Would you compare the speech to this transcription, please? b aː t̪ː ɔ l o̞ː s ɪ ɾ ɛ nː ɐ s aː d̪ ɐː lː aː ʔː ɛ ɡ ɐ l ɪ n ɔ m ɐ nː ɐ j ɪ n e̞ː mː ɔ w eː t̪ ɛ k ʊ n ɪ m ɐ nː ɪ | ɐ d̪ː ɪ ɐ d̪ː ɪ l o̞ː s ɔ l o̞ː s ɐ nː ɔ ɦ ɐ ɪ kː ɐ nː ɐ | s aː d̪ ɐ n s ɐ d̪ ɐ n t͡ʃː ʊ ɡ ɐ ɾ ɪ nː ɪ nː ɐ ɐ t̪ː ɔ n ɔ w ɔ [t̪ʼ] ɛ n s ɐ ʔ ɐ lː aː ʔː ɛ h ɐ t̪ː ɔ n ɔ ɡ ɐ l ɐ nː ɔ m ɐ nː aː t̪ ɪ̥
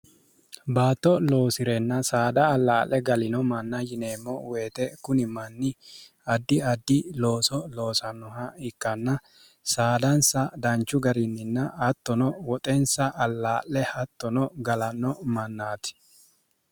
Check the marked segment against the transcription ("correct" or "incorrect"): correct